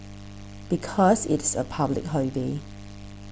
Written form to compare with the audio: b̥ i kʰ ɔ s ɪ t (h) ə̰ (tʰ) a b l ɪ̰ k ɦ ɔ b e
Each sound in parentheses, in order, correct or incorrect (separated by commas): incorrect, incorrect